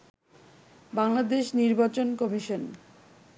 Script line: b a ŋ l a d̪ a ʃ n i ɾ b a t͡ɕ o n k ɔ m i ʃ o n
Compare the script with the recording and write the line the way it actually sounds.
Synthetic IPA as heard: b a ŋ l a d̪ e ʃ n i ɾ b a t͡ɕ o n k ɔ m i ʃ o n